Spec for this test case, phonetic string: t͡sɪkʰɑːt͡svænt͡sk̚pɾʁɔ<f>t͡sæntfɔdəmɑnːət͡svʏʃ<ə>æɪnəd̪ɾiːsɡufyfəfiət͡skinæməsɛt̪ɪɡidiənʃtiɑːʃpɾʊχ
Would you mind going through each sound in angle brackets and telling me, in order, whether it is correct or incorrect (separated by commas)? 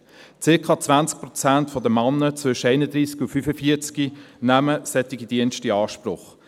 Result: incorrect, correct